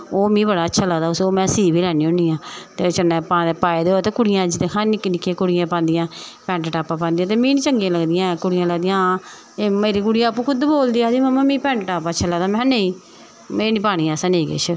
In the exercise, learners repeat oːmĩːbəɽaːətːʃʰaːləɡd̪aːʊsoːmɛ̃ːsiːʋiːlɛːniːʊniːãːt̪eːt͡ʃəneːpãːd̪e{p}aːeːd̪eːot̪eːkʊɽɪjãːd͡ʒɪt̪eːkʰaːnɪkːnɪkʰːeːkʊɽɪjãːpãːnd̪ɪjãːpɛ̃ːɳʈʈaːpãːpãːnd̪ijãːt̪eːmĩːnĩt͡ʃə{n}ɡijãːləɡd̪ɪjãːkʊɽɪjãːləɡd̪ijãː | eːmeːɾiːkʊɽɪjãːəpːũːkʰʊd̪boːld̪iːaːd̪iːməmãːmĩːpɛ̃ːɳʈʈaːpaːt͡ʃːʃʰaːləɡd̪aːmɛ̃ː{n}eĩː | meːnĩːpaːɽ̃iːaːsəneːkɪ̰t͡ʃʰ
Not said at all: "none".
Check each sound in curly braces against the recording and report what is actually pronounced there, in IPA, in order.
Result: p, ŋ, n

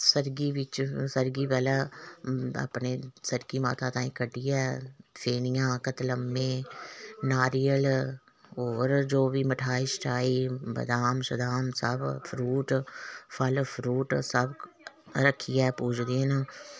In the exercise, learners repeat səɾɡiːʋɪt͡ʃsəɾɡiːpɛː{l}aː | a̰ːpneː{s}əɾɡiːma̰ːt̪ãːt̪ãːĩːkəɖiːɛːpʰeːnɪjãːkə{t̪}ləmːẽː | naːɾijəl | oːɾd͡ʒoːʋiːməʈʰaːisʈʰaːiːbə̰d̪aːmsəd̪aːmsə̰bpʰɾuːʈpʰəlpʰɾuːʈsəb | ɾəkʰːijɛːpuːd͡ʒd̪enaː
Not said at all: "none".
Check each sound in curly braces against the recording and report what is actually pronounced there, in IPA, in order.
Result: l, s, t̪

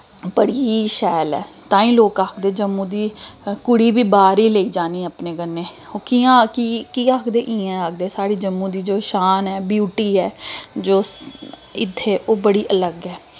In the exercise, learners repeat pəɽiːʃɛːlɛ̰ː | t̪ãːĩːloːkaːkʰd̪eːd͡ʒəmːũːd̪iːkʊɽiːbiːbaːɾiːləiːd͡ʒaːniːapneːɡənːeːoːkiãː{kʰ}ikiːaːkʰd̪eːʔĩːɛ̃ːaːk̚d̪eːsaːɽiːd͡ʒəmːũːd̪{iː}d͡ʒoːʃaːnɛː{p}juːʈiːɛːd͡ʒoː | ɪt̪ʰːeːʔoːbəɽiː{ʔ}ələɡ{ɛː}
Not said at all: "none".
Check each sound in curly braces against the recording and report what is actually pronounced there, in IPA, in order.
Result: k, iː, b, ʔ, ɛː

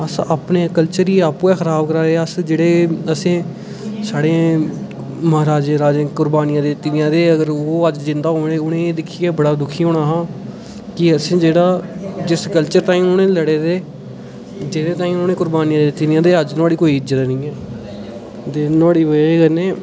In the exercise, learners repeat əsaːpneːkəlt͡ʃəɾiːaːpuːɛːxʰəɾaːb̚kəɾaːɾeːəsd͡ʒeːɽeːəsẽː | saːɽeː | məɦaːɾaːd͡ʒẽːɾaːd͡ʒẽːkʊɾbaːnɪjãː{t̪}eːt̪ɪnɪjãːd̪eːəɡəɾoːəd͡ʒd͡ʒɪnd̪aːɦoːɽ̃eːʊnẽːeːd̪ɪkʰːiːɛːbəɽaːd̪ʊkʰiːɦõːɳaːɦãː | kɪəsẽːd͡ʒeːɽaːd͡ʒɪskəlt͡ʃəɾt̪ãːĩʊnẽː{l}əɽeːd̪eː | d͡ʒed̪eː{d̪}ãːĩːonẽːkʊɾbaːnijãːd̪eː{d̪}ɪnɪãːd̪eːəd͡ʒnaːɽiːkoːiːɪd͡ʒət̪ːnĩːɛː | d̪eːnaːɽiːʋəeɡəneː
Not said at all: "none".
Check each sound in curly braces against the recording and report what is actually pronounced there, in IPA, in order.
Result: d̪, l, t̪, t̪

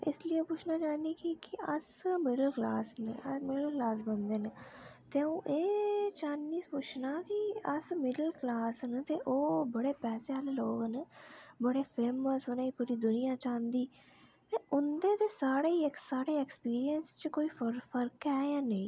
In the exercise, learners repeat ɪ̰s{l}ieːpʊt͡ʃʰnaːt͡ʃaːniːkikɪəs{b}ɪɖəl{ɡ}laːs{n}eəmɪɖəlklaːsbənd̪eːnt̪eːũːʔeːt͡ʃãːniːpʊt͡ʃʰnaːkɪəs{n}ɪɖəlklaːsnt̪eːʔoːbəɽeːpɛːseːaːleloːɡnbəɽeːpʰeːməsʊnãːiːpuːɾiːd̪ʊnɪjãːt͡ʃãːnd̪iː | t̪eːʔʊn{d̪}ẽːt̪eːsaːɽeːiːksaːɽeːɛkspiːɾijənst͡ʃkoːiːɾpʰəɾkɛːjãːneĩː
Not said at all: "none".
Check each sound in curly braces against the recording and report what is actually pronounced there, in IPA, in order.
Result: l, m, k, n, m, d̪

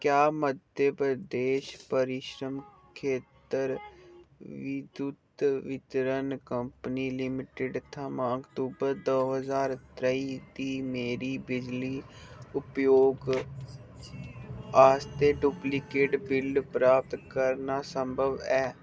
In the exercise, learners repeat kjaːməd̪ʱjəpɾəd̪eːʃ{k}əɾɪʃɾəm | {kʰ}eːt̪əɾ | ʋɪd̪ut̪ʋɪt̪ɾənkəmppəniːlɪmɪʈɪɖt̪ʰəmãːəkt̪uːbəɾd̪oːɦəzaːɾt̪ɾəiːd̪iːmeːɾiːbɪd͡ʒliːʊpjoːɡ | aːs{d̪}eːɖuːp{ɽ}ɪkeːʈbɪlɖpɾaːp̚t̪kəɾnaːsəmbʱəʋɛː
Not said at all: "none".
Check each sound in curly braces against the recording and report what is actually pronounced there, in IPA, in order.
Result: p, kʰ, t̪, l

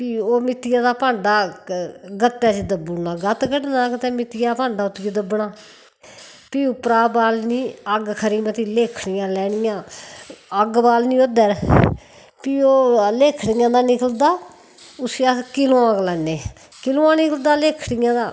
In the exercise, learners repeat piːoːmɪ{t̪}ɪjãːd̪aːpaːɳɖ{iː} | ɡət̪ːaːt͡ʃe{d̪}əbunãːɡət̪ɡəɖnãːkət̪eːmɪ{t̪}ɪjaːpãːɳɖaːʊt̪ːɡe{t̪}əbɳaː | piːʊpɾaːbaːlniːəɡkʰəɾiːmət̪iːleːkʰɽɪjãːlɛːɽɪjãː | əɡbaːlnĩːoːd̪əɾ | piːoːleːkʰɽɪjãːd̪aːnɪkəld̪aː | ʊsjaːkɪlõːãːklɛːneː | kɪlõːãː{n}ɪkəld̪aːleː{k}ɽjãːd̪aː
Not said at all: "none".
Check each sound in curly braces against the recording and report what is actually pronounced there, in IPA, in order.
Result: t̪, aː, d̪, t̪, d̪, n, kʰ

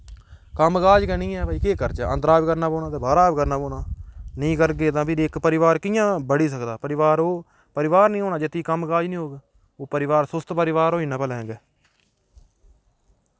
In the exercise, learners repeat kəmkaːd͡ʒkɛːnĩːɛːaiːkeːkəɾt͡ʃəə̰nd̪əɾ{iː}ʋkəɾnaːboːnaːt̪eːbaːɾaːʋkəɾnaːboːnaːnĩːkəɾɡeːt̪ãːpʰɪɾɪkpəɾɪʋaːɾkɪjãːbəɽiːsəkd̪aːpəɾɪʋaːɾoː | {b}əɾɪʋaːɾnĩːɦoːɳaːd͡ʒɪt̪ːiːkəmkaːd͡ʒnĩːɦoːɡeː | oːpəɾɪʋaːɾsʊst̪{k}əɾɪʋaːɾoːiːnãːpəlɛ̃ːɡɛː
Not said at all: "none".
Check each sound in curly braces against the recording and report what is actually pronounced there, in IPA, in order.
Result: aː, p, p

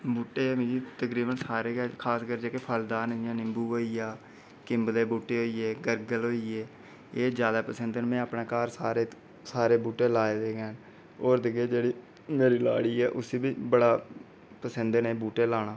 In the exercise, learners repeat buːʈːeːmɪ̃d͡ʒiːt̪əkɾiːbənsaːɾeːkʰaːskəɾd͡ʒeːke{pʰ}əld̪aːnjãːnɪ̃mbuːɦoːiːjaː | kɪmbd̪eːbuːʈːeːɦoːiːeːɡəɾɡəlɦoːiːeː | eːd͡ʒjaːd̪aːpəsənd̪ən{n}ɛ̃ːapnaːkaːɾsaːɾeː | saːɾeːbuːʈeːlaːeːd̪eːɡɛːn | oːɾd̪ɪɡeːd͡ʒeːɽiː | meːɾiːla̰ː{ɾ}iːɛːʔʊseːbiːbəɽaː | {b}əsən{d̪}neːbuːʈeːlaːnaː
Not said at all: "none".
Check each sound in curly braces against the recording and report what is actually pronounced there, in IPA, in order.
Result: pʰ, m, ɽ, p, d̪

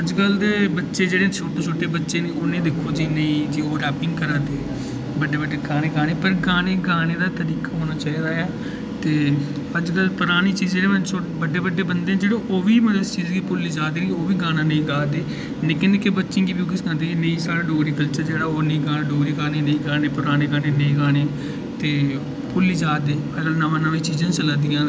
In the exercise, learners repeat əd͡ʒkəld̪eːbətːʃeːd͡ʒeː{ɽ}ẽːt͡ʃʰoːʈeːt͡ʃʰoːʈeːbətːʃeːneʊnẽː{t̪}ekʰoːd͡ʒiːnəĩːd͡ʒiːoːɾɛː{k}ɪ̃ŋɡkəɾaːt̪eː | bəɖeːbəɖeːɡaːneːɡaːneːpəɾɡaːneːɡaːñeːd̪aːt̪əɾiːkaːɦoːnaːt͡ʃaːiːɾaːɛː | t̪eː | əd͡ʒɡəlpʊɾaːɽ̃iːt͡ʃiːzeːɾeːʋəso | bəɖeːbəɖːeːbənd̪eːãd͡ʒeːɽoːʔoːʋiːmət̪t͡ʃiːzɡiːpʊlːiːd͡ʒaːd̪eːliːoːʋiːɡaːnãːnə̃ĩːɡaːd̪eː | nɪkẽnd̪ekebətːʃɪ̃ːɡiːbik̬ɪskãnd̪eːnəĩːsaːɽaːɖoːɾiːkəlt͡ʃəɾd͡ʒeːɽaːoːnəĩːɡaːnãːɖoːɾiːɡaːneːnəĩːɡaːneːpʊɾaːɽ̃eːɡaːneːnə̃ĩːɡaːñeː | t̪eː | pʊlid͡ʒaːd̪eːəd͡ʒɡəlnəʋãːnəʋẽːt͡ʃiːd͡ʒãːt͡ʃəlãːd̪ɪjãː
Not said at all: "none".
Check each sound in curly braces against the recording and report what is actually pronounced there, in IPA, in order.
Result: ɽ, d̪, p

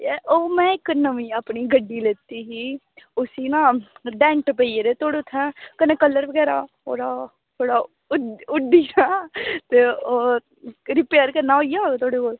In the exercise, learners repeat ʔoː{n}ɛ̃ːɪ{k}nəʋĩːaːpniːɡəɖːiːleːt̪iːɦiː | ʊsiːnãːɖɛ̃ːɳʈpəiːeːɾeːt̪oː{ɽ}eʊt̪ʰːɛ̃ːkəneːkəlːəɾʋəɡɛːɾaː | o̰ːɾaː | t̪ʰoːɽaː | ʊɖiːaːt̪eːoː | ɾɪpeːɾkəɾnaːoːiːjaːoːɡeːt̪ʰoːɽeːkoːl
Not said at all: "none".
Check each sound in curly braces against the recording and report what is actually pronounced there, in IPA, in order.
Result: m, k, ɽ

